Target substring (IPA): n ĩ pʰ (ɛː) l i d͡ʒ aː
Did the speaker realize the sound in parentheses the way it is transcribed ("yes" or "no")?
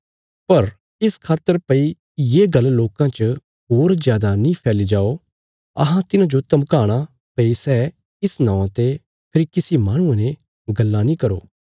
yes